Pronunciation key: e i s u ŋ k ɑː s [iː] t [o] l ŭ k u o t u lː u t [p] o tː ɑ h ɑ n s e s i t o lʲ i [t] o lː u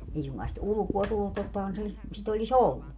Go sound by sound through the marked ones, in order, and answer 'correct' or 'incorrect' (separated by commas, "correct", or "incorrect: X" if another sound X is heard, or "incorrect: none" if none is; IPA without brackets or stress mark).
incorrect: i, incorrect: u, incorrect: t, incorrect: s